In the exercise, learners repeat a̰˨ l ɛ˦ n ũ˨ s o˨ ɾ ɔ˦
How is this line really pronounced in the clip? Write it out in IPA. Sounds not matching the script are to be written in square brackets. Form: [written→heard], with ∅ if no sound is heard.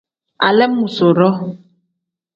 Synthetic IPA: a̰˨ l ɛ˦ [n→m] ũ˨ s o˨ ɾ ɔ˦